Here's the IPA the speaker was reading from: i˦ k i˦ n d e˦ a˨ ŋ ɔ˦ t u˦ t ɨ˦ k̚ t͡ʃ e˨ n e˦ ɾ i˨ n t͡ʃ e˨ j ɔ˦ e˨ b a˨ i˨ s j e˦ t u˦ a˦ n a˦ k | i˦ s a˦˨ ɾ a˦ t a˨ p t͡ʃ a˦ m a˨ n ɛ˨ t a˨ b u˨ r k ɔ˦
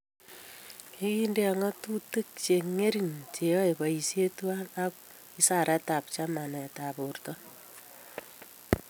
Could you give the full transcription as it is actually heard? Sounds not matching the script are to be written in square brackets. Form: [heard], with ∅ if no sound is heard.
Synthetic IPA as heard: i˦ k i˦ n d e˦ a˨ ŋ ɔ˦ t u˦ t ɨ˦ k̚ t͡ʃ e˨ [ŋ] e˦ ɾ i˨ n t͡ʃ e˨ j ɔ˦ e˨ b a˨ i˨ s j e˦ t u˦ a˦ n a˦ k | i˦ s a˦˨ ɾ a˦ t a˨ p t͡ʃ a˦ m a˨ n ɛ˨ t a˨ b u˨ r [t] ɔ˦